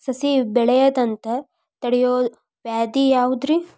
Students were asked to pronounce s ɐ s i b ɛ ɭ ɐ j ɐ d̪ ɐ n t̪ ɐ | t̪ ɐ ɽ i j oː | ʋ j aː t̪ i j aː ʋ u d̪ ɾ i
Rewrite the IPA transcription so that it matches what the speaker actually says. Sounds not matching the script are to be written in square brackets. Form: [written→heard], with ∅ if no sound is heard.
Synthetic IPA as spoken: s ɐ s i b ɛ ɭ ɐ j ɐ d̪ ɐ n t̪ ɐ | t̪ ɐ ɽ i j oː | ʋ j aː [t̪→d̪] i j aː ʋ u d̪ ɾ i